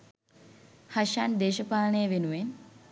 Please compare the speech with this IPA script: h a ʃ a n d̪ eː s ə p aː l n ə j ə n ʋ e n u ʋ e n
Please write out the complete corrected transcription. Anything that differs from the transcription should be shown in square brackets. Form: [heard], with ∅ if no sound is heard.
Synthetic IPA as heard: h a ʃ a n d̪ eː [ʃ] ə p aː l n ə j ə [∅] ʋ e n u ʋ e n